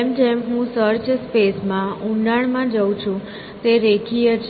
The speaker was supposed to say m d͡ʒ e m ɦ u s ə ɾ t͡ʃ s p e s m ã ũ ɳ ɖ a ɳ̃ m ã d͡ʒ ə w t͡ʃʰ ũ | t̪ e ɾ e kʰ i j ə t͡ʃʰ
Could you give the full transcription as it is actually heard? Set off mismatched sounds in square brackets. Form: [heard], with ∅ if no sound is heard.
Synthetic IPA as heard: m d͡ʒ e m ɦ [ũ] s ə ɾ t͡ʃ s p e s m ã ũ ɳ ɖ a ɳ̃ m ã d͡ʒ ə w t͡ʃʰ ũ | t̪ e ɾ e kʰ i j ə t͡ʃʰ